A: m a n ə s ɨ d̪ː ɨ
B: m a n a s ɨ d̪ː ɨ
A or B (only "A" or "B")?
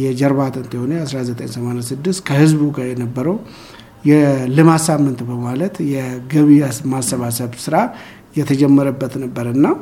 B